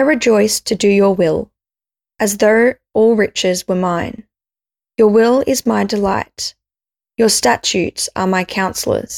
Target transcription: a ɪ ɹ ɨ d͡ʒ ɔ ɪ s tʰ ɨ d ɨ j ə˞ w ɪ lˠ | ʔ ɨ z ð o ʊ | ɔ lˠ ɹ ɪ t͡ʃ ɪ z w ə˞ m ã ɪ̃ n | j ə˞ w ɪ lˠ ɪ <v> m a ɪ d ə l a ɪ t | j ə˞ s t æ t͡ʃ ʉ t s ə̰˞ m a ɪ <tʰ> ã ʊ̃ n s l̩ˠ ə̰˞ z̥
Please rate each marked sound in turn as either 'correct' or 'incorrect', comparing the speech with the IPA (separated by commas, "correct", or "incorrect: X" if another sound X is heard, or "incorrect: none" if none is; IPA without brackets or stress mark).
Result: incorrect: z, incorrect: kʰ